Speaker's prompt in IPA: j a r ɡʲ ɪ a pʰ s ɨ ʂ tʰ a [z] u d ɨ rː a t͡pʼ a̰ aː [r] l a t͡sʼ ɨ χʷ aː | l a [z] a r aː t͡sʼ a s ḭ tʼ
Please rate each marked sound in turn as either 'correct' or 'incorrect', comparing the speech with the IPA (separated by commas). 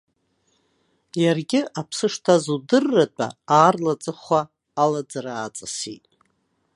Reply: correct, correct, incorrect